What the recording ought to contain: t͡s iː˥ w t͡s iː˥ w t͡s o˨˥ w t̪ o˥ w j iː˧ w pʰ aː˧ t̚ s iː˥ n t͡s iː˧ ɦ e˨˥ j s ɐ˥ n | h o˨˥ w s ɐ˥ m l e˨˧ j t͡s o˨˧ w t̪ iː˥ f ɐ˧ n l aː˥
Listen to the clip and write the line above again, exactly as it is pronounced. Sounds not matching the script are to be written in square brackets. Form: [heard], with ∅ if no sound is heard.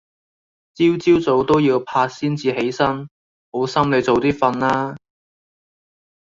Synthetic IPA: t͡s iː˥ w t͡s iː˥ w t͡s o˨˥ w t̪ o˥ w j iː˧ w pʰ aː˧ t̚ s iː˥ n t͡s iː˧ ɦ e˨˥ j s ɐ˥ n | h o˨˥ w s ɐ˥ m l e˨˧ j t͡s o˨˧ w t̪ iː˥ f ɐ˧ n l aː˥